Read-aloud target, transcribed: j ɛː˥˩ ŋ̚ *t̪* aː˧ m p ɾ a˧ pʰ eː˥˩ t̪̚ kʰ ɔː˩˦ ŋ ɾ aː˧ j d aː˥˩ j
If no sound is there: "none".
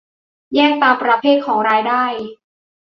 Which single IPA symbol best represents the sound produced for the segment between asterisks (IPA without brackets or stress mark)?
t̪